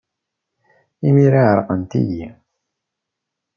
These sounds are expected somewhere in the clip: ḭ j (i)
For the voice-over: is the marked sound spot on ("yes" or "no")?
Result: yes